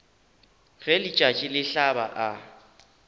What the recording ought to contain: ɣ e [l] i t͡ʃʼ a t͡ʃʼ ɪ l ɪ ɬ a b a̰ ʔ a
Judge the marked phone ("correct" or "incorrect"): correct